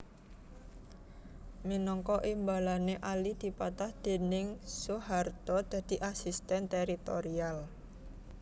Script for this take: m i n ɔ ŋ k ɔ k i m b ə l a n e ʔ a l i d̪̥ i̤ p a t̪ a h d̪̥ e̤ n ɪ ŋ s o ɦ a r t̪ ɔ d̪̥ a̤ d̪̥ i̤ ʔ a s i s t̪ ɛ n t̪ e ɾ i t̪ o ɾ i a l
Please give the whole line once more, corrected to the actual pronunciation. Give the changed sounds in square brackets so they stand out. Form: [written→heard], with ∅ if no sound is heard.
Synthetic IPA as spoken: m i n ɔ ŋ k ɔ [k→ʔ] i m b [ə→a] l a n e ʔ a l i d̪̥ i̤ p a t̪ a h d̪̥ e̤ n ɪ ŋ s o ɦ a r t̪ ɔ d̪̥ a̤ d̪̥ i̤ ʔ a s i s t̪ ɛ n t̪ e ɾ i t̪ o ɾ i a l